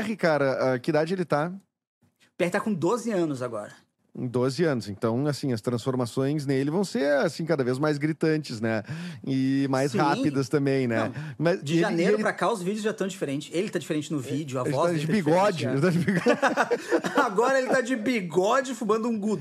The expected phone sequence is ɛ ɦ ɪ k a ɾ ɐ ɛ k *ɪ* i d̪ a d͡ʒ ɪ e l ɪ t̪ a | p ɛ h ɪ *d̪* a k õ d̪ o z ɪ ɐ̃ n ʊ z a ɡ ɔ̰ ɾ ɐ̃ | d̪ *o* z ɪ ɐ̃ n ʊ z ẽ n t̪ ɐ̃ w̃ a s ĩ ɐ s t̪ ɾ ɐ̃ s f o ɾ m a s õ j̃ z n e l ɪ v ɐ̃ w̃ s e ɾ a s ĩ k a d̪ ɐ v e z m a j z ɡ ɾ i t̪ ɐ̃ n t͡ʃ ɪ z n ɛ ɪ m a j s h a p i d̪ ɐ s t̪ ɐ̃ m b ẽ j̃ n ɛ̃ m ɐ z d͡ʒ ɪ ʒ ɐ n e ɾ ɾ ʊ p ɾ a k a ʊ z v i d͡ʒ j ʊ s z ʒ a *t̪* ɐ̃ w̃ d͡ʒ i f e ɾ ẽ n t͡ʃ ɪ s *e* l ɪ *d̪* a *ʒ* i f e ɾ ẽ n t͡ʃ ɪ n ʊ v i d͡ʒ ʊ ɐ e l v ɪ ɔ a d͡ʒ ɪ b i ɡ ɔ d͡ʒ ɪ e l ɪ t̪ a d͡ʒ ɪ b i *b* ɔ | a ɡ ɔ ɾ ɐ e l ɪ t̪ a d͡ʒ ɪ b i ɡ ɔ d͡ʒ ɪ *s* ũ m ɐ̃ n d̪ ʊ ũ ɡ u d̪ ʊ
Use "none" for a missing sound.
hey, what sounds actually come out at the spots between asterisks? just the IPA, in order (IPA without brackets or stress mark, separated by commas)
ɪ, t̪, o, t̪, e, t̪, d͡ʒ, ɡ, f